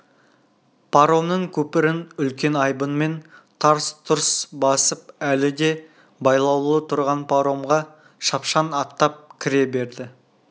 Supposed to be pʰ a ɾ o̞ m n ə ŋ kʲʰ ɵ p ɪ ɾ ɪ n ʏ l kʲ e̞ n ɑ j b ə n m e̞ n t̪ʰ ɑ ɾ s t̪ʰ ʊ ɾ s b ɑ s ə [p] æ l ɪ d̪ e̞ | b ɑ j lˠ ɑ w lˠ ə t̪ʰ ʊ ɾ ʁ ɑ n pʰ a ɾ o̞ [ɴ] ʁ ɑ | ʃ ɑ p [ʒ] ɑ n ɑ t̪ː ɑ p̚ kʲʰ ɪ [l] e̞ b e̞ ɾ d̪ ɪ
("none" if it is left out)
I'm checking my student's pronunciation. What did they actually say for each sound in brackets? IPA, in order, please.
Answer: p, m, ʃ, ɾ

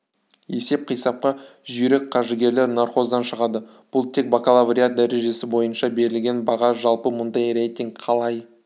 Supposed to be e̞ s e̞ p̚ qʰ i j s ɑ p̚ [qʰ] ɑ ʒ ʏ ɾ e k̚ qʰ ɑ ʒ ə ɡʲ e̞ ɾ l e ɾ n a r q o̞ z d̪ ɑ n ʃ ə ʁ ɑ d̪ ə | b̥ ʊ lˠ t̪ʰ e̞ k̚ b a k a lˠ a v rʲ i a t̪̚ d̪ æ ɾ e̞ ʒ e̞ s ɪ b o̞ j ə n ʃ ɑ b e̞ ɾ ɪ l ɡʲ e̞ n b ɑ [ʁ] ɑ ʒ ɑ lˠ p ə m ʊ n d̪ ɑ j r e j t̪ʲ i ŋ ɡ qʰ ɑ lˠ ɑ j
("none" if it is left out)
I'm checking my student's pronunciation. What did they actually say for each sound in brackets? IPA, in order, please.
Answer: q, ʁ

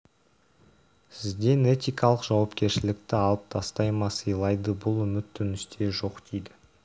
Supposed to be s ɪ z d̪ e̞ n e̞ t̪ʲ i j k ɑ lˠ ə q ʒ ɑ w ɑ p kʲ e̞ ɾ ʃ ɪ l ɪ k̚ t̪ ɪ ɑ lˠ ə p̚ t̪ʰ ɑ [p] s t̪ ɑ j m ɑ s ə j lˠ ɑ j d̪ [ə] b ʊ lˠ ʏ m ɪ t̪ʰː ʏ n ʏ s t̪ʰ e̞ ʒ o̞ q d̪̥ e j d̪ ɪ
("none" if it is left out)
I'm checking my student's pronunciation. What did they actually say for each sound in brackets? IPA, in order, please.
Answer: none, ə

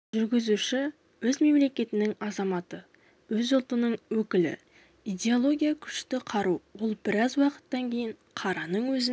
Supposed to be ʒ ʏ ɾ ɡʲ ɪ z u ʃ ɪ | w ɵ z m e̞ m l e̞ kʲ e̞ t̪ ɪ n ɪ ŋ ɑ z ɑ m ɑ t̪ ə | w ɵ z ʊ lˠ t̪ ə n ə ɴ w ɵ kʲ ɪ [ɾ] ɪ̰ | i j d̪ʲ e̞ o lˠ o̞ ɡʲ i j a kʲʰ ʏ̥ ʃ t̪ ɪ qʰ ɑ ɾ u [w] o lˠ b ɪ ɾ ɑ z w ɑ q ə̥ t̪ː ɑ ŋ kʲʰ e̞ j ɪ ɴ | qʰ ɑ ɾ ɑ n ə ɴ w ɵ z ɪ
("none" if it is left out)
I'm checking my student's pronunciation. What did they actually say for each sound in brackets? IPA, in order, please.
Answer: l, w

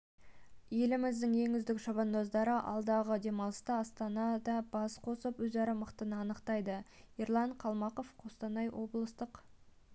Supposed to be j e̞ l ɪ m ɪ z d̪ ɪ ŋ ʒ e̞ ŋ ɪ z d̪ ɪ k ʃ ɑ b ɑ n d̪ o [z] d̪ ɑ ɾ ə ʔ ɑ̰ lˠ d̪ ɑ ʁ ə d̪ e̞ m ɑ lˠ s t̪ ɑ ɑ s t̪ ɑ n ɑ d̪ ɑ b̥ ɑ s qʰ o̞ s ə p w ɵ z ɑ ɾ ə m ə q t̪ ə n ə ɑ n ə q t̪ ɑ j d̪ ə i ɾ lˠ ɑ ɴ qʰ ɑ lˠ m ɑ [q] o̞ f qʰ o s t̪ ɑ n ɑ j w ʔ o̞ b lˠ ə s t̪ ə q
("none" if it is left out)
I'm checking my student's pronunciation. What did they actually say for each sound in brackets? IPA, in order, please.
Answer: z, q

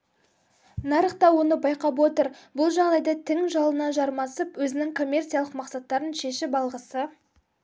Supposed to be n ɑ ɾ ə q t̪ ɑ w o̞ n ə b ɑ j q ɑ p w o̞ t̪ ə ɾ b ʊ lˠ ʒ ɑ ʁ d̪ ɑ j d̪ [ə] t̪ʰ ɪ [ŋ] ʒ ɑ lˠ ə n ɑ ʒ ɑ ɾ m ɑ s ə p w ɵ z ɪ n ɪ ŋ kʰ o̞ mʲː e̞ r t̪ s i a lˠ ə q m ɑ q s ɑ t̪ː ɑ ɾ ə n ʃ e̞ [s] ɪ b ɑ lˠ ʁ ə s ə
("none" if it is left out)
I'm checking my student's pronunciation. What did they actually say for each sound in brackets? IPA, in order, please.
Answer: ɑ, ŋ, ʃ

